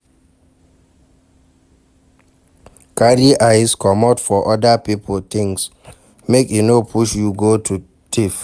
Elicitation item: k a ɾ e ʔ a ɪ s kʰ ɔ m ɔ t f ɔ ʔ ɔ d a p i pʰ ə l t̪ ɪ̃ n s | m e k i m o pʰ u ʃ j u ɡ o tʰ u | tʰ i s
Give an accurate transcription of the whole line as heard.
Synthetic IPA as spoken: k a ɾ i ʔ a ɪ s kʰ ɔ m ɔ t f ɔ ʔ ɔ d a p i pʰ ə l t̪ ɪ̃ ŋ s | m e k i n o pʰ u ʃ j u ɡ o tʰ u | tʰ i f